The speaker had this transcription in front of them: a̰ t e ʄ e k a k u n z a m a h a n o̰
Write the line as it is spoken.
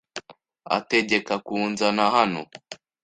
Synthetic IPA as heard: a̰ t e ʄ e k a k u n z a n a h a n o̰